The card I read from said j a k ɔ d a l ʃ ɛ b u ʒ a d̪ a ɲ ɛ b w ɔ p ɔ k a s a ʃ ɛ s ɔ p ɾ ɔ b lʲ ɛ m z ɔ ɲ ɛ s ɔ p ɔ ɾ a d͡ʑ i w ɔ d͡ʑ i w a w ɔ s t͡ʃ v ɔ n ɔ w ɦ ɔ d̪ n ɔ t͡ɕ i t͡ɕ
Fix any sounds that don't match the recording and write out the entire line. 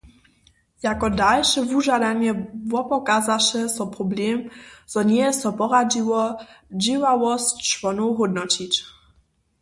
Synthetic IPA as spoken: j a k ɔ d a l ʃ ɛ v u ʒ a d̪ a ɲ ɛ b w ɔ p ɔ k a z a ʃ ɛ s ɔ p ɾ ɔ b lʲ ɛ m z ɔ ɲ ɛ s ɔ p ɔ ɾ a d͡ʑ i w ɔ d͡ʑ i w a w ɔ s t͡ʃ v ɔ n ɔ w ɦ ɔ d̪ n ɔ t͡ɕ i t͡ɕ